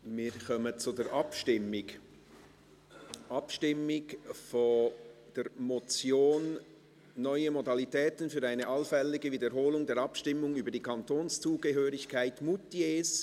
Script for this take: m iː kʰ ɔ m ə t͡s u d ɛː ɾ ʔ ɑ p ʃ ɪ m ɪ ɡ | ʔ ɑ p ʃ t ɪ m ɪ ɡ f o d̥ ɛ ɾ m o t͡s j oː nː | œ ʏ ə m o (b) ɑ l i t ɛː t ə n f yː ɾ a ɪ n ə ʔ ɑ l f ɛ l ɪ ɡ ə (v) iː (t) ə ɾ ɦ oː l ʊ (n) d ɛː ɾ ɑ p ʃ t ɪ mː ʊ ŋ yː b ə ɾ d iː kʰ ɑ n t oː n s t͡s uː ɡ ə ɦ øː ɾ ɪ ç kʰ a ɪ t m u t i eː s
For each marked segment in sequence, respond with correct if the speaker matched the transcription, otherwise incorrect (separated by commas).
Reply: incorrect, correct, incorrect, incorrect